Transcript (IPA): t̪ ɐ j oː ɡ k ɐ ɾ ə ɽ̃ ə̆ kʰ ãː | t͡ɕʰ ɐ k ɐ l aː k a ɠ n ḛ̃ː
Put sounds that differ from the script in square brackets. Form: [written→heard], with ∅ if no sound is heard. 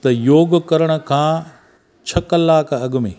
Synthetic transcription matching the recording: t̪ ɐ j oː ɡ k ɐ ɾ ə ɽ̃ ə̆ kʰ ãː | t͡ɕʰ ɐ k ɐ l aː k [a→ɐ] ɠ [n→m] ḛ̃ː